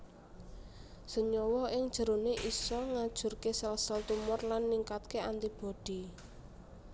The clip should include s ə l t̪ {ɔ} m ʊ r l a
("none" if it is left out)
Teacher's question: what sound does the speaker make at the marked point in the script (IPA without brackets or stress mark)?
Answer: u